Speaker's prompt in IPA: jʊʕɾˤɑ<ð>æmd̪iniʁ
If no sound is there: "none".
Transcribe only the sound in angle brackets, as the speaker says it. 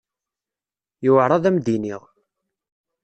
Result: ð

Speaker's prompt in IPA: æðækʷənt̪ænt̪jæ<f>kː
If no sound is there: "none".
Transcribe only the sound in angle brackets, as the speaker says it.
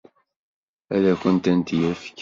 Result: f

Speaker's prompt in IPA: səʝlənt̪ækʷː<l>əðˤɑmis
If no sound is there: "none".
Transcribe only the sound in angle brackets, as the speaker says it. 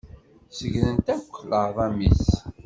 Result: l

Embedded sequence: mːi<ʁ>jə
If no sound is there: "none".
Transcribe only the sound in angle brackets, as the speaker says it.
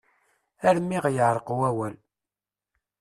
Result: ʁ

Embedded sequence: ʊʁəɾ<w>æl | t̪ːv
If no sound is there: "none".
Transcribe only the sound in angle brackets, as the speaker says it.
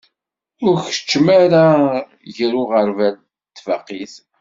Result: v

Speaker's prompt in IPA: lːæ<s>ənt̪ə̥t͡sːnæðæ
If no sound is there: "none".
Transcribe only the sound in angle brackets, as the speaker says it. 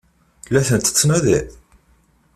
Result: θ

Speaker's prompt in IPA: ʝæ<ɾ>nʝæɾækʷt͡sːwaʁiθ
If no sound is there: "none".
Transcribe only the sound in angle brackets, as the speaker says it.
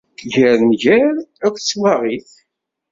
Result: ɾ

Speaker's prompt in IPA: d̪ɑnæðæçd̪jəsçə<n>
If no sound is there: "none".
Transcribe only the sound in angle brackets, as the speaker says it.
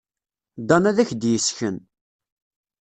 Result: n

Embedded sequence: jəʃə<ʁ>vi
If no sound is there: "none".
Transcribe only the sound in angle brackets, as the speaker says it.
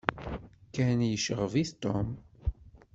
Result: ʁ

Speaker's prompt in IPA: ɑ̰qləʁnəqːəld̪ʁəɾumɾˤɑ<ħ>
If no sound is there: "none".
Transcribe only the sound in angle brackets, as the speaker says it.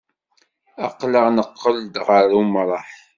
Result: ħ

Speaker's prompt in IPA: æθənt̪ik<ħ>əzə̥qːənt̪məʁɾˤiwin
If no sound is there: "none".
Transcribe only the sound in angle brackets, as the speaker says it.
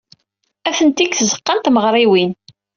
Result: θ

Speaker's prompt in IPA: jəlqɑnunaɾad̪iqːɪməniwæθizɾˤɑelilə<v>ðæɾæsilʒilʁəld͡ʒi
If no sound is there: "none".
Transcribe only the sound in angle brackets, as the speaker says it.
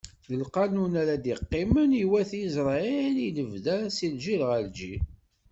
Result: v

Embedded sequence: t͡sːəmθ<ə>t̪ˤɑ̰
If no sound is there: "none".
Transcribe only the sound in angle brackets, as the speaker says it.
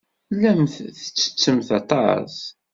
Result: ɑ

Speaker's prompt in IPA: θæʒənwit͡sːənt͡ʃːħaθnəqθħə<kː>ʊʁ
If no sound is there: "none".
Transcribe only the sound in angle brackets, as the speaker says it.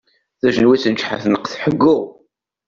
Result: ɡː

